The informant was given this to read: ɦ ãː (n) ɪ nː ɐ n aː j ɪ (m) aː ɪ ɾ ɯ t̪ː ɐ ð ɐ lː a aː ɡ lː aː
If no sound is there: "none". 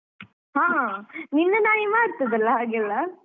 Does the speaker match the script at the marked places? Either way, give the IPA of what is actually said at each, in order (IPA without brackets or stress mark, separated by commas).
n, m